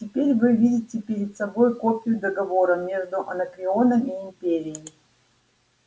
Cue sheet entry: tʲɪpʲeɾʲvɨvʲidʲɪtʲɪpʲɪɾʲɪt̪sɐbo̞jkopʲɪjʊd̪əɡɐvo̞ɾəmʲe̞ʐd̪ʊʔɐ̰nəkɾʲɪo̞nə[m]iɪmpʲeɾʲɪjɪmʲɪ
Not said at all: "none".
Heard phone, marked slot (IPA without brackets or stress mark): m